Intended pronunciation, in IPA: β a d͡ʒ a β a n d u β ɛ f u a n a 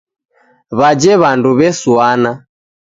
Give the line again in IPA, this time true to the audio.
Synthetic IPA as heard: β a d͡ʒ ɛ β a n d u β ɛ s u a n a